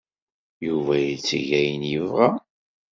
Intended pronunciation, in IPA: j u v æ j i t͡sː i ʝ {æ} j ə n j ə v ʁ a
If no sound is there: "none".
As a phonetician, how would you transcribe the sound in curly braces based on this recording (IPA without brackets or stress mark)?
æ